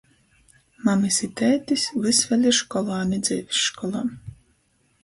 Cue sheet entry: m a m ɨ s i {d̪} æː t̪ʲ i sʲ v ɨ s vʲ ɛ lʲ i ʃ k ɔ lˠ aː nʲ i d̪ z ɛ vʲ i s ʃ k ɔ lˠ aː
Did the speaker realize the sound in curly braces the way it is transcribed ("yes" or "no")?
no